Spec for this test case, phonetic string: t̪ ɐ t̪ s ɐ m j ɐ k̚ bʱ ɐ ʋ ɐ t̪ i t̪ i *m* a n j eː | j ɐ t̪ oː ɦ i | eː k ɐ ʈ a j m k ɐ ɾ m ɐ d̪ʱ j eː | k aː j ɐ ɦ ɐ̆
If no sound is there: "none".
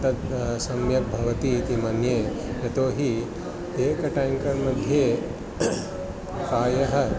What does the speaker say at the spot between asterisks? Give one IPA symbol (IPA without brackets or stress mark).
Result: m